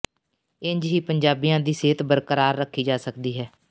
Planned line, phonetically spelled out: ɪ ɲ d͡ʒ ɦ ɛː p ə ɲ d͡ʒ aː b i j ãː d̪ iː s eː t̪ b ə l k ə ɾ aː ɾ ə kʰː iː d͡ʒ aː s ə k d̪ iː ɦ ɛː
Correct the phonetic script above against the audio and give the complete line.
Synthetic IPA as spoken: ɪ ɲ d͡ʒ ɦ iː p ə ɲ d͡ʒ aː b i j ãː d̪ iː s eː t̪ b ə ɾ k ə ɾ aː ɾː ə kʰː iː d͡ʒ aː s ə k d̪ iː ɦ ɛː